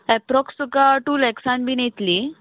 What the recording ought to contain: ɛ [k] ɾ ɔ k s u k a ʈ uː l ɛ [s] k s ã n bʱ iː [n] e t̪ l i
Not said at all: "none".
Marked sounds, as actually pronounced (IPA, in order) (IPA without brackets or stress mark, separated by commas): p, none, n